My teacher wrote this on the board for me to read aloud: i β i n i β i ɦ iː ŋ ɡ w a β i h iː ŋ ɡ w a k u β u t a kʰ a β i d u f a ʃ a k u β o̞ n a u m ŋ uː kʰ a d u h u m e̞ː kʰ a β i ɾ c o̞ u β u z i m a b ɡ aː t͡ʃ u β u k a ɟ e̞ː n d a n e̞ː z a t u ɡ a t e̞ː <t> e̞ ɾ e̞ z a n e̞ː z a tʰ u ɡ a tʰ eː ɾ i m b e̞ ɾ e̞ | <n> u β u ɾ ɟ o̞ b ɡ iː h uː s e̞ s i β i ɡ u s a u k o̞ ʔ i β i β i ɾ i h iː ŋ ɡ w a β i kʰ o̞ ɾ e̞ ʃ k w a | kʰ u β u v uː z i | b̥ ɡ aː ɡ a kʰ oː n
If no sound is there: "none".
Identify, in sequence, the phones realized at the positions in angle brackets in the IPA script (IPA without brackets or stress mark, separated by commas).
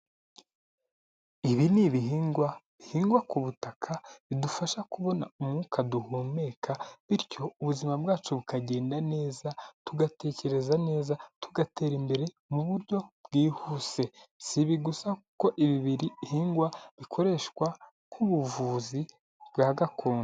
c, m